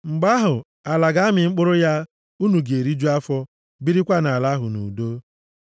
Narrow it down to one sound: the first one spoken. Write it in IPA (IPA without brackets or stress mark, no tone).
ŋ͡m̩